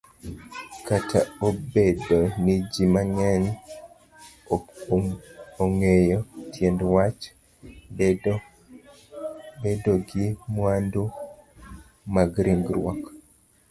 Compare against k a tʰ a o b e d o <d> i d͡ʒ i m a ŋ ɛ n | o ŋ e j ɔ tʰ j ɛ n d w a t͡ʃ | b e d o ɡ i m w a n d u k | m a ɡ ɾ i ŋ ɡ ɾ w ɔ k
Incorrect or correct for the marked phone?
incorrect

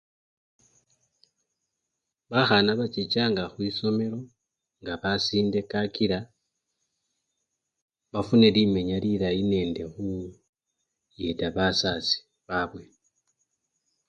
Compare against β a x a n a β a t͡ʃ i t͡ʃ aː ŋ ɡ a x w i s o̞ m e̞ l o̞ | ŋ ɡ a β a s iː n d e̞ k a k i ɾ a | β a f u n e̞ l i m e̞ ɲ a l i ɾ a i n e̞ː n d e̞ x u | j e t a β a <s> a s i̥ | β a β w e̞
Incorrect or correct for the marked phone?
correct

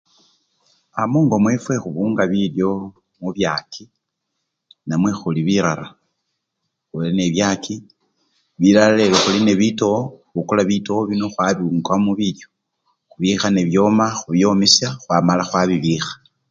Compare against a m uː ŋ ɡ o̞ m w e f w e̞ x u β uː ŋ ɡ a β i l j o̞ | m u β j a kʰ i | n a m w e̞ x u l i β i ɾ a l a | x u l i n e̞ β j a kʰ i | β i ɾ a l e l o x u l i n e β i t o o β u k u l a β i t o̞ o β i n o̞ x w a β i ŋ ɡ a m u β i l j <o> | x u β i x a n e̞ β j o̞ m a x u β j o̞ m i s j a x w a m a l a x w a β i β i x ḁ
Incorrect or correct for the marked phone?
correct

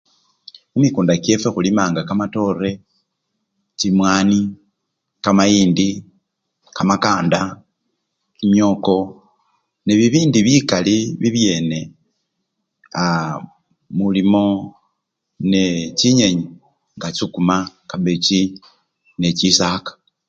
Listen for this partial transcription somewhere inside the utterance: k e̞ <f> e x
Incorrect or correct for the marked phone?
correct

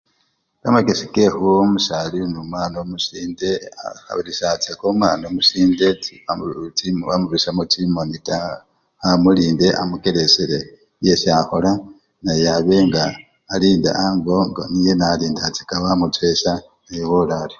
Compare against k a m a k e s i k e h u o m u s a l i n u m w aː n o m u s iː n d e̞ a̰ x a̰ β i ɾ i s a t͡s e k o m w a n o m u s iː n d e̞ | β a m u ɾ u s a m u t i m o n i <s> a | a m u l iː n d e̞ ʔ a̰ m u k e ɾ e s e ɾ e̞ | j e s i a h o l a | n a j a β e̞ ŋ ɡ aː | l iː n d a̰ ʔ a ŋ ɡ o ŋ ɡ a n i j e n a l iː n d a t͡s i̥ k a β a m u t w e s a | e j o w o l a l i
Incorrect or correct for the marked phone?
incorrect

